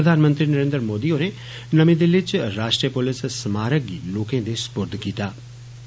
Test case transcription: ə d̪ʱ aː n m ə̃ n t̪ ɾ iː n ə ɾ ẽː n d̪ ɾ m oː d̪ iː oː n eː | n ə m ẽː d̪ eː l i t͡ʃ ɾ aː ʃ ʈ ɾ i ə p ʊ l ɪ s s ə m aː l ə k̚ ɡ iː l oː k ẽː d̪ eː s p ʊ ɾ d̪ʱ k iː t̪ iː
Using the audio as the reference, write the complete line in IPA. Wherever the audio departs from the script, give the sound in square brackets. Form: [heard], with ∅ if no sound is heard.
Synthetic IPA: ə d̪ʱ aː n m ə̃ n t̪ ɾ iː n ə ɾ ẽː n d̪ ɾ m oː d̪ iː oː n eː | n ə m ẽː d̪ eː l [ɪ] t͡ʃ ɾ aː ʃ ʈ ɾ i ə p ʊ l ɪ s s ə m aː [ɾ] ə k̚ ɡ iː l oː k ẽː d̪ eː s p ʊ ɾ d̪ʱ k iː t̪ [aː]